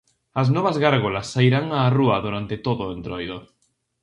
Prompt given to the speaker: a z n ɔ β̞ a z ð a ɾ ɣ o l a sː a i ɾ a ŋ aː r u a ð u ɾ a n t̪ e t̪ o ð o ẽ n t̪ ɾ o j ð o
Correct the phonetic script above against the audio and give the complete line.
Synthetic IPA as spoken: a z n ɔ β̞ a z ɣ a ɾ ɣ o l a sː a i ɾ a ŋ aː r u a ð u ɾ a n t̪ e t̪ o ð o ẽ n t̪ ɾ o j ð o